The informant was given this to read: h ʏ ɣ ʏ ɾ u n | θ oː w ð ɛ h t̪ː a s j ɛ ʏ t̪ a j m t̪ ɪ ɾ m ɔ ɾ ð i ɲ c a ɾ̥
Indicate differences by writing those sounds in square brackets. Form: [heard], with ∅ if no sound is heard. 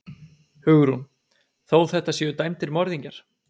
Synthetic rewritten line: h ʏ ɣ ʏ ɾ u n | θ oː w [θ] ɛ h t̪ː a s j ɛ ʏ t̪ a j m t̪ ɪ ɾ m ɔ ɾ ð i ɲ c a ɾ̥